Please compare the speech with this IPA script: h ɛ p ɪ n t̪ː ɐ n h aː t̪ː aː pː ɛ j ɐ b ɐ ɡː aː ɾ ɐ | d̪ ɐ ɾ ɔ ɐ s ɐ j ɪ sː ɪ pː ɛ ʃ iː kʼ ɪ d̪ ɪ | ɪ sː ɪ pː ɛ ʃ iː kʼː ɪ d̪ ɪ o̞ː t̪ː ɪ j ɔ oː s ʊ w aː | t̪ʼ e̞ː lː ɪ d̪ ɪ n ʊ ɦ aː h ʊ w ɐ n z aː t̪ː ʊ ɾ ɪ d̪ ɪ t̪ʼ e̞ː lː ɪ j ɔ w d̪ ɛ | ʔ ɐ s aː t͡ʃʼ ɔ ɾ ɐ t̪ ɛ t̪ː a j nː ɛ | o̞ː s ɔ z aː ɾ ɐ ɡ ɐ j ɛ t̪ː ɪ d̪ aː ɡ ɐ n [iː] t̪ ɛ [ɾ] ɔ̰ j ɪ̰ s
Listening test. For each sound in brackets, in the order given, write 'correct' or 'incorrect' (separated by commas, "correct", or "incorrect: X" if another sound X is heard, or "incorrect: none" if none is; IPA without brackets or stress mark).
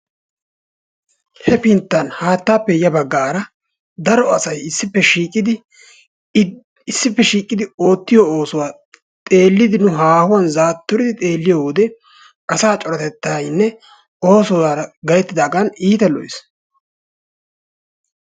correct, incorrect: l